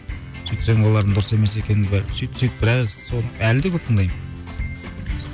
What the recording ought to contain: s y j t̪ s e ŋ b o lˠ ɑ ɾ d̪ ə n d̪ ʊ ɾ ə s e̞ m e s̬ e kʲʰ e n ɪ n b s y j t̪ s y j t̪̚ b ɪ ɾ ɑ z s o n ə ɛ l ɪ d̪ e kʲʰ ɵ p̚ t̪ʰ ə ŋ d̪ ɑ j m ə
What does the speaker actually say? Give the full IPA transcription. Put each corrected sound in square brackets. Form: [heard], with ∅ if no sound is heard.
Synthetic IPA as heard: s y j t̪ s e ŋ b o lˠ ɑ ɾ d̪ ə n d̪ ʊ ɾ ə s e̞ m e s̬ e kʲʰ e n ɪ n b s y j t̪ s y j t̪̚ b ɪ ɾ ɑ z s o n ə [æ] l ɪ d̪ e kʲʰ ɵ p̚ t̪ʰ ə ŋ d̪ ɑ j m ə

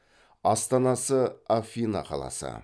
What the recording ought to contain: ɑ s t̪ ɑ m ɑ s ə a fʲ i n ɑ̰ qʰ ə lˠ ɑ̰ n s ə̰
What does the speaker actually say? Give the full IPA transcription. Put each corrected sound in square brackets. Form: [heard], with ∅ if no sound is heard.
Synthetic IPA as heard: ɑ s t̪ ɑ [n] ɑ s ə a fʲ i n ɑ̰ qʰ [ɑ] lˠ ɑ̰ [∅] s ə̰

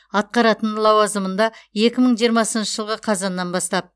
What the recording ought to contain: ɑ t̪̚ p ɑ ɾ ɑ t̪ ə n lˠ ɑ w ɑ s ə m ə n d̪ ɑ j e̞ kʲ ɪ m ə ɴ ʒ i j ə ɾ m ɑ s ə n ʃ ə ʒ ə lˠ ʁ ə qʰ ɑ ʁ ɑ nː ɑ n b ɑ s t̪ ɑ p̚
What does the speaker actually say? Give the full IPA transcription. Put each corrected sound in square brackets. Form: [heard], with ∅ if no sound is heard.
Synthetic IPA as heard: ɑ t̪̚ [q] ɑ ɾ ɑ t̪ ə n lˠ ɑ w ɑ [z] ə m ə n d̪ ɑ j e̞ kʲ ɪ m ə ɴ ʒ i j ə ɾ m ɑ s ə n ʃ ə ʒ ə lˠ ʁ ə qʰ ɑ [z] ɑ nː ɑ n b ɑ s t̪ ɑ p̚

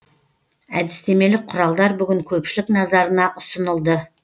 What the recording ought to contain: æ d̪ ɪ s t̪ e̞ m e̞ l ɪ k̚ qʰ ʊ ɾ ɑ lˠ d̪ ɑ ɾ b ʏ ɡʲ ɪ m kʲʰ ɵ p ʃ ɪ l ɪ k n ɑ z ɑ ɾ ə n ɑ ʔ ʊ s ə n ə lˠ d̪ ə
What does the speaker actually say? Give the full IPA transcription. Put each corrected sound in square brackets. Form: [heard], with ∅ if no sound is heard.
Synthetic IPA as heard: æ d̪ ɪ s t̪ e̞ m e̞ l ɪ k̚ qʰ ʊ ɾ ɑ lˠ d̪ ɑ ɾ b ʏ ɡʲ ɪ [ŋ] kʲʰ ɵ p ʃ ɪ l ɪ k n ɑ z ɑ ɾ ə n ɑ ʔ ʊ s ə n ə lˠ d̪ ə

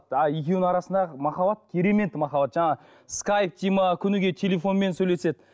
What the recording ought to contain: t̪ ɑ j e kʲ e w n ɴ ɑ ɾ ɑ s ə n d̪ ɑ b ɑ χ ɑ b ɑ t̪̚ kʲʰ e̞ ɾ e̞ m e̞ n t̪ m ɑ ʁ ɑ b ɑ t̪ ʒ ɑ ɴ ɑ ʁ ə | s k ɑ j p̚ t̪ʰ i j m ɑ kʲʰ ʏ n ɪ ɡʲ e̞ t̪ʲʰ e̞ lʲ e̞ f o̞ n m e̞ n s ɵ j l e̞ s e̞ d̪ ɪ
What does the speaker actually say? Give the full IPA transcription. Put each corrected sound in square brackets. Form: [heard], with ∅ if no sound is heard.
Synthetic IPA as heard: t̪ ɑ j e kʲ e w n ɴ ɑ ɾ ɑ s ə n d̪ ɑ [m] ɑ χ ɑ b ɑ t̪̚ kʲʰ e̞ ɾ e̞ m e̞ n t̪ m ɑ [χ] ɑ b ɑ t̪ ʒ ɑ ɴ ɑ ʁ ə | s k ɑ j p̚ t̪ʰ i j m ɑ kʲʰ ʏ n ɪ ɡʲ e̞ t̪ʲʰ e̞ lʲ e̞ f o̞ n m e̞ n s ɵ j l e̞ s e̞ d̪ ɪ

